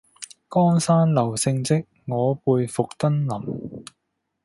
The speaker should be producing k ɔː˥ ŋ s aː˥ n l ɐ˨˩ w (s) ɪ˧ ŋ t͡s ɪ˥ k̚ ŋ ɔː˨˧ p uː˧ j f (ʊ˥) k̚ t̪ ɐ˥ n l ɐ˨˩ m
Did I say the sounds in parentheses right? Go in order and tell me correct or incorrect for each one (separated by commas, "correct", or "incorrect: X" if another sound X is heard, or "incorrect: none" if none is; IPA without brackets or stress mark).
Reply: correct, incorrect: ʊ˨